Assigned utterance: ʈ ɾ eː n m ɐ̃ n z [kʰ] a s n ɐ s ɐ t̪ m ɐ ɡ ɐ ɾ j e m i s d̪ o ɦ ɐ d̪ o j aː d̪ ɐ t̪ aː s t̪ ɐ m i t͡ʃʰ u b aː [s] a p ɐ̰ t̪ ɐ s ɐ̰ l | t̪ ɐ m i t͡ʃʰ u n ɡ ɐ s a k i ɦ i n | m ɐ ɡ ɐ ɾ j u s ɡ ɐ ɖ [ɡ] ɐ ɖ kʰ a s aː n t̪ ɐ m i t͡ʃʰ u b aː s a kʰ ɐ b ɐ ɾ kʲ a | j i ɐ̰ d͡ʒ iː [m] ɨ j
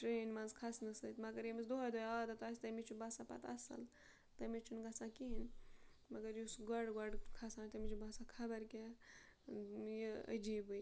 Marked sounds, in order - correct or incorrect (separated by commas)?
correct, correct, correct, incorrect